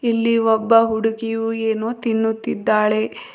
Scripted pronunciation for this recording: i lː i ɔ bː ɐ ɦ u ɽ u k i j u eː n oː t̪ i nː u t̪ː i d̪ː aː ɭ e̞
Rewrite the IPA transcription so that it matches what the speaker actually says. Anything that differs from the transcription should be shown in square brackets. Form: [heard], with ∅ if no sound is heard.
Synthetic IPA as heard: i lː i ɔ bː ɐ ɦ u ɽ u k i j u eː n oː t̪ i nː u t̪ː i d̪ː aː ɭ e̞